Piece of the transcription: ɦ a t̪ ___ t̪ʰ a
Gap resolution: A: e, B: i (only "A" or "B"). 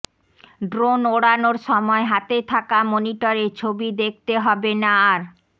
A